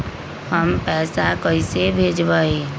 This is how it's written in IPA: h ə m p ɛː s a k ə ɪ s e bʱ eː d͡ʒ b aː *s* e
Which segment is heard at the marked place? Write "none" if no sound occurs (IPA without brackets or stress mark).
none